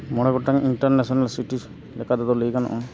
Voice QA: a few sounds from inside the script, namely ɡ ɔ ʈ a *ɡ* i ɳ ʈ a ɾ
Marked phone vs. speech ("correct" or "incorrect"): incorrect